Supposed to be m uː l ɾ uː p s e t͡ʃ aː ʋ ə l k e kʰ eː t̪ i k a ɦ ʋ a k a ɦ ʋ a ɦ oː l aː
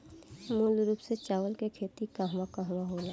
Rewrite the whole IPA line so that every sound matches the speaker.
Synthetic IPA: m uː l ɾ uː p s e t͡ʃ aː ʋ ə l k e kʰ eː t̪ i k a ɦ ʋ a k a ɦ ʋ a ɦ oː l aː